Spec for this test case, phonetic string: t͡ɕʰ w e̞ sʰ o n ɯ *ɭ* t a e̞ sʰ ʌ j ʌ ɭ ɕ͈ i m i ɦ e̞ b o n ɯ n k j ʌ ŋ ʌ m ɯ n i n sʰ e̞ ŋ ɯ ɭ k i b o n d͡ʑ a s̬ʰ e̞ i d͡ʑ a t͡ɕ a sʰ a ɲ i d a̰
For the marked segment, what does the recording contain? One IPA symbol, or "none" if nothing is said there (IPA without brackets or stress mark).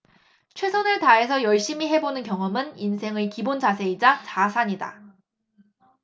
ɭ